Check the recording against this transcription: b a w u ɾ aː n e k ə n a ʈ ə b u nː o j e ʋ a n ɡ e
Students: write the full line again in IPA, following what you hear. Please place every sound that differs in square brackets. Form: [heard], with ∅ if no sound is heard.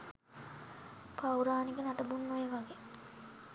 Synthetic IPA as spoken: [p] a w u ɾ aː n [i] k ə n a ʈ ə b u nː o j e ʋ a [∅] ɡ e

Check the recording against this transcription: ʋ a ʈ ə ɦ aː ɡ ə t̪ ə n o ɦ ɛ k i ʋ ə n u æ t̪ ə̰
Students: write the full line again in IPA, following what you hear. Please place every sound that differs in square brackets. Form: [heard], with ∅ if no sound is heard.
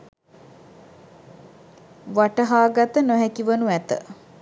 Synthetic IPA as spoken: ʋ a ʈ ə ɦ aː ɡ [a] t̪ ə n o ɦ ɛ k i ʋ ə n u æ t̪ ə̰

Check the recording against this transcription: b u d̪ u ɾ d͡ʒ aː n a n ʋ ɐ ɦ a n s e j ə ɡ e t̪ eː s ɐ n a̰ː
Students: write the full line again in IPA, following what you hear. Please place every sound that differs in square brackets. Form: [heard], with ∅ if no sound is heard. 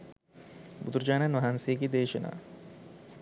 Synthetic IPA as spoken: b u d̪ u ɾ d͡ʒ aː n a n ʋ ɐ ɦ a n s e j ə ɡ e [d̪] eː [ʃ] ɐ n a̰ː

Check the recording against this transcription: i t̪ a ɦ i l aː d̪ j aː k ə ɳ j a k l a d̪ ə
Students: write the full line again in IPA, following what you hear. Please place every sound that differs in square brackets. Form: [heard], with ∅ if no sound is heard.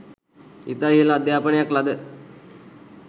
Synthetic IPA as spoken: i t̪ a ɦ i l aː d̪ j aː [p] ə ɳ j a k l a d̪ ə

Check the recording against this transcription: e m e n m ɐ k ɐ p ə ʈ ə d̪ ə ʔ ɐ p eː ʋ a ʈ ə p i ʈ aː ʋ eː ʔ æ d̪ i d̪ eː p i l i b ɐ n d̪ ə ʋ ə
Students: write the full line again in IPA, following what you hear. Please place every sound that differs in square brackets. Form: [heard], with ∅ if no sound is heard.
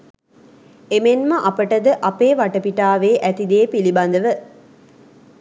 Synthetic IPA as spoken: e m e n m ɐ [ʔ] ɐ p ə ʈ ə d̪ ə ʔ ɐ p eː ʋ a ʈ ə p i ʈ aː ʋ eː ʔ æ [t̪] i d̪ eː p i l i b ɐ n d̪ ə ʋ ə

